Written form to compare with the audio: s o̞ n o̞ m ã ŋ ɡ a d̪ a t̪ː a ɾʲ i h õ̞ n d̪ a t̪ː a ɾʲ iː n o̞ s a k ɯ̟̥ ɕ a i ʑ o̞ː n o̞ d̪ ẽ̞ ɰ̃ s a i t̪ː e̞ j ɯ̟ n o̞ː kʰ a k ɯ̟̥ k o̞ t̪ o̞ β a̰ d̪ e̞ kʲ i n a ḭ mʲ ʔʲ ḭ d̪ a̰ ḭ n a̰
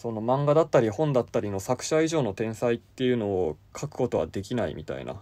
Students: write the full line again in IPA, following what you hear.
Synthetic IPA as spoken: s o̞ n o̞ m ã ŋ ɡ a d̪ a t̪ː a ɾʲ i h õ̞ n d̪ a t̪ː a ɾʲ i n o̞ s a k ɯ̟̥ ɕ a i ʑ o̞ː n o̞ t̪ ẽ̞ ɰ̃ s a i t̪ː e̞ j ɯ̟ n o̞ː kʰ a k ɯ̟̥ k o̞ t̪ o̞ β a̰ d̪ e̞ kʲ i n a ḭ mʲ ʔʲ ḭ t̪ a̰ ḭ n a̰